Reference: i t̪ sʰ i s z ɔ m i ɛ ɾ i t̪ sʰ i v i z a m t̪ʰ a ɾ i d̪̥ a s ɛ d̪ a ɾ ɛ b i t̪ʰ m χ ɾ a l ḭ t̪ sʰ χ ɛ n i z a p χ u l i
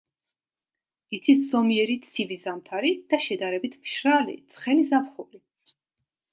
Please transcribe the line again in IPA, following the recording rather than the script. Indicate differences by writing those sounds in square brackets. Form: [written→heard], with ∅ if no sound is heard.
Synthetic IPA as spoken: i t̪ sʰ i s z ɔ m i ɛ ɾ i t̪ sʰ i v i z a m t̪ʰ a ɾ i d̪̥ a [s→ʃ] ɛ d̪ a ɾ ɛ b i t̪ʰ m [χ→ʃ] ɾ a l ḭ t̪ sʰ χ ɛ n i z a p χ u l i